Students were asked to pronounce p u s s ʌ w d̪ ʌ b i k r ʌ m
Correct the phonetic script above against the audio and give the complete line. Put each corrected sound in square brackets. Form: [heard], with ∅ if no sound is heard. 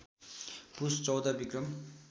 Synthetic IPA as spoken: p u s [t͡s] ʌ w d̪ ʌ b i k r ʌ m